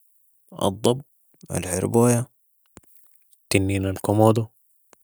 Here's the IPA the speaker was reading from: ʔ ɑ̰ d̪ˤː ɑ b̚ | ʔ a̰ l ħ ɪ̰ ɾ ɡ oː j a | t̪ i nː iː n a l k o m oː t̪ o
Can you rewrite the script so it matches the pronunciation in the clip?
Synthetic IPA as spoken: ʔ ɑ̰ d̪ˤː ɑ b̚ | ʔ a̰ l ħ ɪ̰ ɾ b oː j a | t̪ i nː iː n a l k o m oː d̪ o